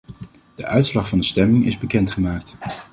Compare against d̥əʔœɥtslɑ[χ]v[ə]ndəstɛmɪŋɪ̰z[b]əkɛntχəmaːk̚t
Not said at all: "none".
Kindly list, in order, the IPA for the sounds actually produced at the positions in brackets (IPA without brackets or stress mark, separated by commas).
χ, ɑ, b